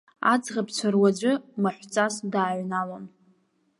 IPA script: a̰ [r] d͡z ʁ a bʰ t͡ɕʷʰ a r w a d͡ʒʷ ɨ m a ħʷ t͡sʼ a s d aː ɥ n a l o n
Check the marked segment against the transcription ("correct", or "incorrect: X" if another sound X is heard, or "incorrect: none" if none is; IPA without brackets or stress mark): incorrect: none